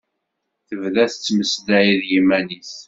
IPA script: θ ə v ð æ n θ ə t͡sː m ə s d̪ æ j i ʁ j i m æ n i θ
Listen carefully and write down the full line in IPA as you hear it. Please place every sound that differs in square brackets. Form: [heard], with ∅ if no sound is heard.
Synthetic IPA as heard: θ ə v ð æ [∅] θ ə t͡sː m ə s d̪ æ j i [ð] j i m æ n i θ